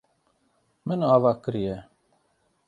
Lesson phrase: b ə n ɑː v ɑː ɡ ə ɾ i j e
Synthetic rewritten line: m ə n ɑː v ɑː k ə ɾ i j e